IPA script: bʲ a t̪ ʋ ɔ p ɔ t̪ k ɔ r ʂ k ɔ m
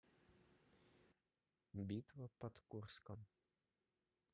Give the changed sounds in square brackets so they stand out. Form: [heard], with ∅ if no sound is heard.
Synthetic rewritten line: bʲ [i] t̪ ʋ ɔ p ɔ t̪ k [u] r [s] k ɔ m